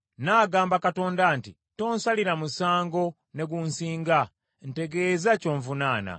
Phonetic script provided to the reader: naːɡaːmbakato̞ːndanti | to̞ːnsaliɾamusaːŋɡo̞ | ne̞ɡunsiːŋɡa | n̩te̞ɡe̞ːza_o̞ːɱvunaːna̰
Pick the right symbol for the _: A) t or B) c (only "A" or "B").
B